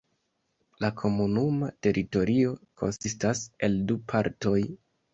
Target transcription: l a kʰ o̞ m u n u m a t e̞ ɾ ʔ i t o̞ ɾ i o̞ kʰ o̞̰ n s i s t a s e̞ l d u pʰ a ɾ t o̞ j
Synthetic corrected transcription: l a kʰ o̞ m u n u m a t e̞ ɾ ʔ i t o̞ ɾ i o̞ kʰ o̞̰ n s i s t a s e̞ l d u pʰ a ɾ t o̞ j

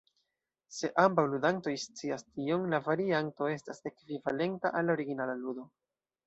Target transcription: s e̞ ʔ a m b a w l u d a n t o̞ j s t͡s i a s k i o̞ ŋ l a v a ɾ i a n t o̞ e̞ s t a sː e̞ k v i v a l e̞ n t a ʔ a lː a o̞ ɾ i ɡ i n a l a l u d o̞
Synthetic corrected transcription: s e̞ ʔ a m b a w l u d a n t o̞ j s t͡s i a s t i o̞ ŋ l a v a ɾ i a n t o̞ e̞ s t a s e̞ k v i v a l e̞ n t a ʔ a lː a o̞ ɾ i ɡ i n a l a l u d o̞

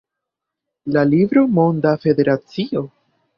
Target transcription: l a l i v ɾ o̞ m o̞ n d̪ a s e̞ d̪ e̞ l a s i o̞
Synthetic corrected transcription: l a l i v ɾ o̞ m o̞ n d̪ a f e̞ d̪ e̞ ɾ a t͡s i o̞

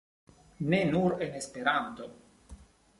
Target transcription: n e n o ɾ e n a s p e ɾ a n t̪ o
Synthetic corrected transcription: n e n u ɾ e n e s p e ɾ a n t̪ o

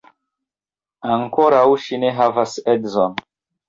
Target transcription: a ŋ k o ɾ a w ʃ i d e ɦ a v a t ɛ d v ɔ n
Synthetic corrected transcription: a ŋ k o ɾ a w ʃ i n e ɦ a v a s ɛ d z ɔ n

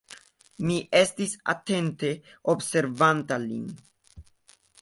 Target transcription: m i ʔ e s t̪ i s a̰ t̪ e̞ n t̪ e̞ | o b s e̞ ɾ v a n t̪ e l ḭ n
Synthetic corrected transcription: m i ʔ e s t̪ i s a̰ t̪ e̞ n t̪ e̞ | o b s e̞ ɾ v a n t̪ a l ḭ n

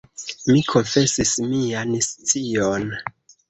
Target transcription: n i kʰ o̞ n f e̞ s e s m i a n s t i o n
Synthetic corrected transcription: m i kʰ o̞ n f e̞ s i s m i a n s t͡s i o n

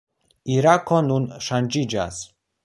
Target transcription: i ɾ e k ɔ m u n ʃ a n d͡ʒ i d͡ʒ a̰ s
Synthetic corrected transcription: i ɾ a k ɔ n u n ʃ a n d͡ʒ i d͡ʒ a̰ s

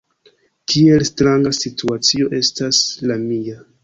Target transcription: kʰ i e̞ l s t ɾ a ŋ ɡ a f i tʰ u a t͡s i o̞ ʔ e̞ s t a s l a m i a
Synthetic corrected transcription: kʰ i e̞ l s t ɾ a ŋ ɡ a s i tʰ u a t͡s i o̞ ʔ e̞ s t a s l a m i a

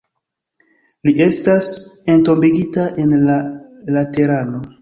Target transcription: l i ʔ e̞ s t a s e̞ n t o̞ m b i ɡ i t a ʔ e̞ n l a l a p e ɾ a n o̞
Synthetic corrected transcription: l i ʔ e̞ s t a s e̞ n t o̞ m b i ɡ i t a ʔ e̞ n l a l a t e ɾ a n o̞

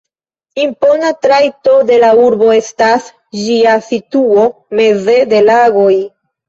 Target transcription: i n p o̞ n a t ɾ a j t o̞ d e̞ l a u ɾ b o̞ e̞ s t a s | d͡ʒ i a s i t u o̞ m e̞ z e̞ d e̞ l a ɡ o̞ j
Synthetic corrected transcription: i m p o̞ n a t ɾ a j t o̞ d e̞ l a u ɾ b o̞ e̞ s t a s | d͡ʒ i a s i t u o̞ m e̞ z e̞ d e̞ l a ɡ o̞ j

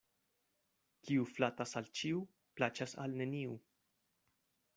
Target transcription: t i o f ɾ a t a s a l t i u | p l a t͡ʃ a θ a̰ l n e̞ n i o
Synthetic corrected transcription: k i u f l a t a s a l t͡ʃ i u | p l a t͡ʃ a s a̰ l n e̞ n i u

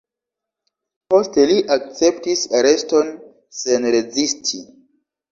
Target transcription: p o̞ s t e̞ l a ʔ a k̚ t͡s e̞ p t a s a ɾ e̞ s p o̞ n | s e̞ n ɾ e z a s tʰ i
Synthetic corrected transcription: p o̞ s t e̞ l i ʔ a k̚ t͡s e̞ p t i s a ɾ e̞ s t o̞ n | s e̞ n ɾ e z i s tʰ i

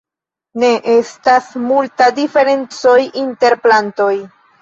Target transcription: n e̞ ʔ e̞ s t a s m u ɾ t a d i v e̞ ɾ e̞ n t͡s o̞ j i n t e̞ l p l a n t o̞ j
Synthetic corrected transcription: n e̞ ʔ e̞ s t a s m u l t a d i f e̞ ɾ e̞ n t͡s o̞ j i n t e̞ ɾ p l a n t o̞ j

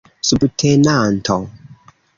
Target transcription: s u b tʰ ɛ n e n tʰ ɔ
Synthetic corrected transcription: s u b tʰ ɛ n a n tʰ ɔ

